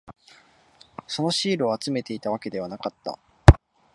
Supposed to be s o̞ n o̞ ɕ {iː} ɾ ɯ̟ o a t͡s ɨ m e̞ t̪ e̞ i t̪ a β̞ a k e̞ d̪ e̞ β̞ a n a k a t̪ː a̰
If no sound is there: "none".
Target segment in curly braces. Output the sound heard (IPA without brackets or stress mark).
iː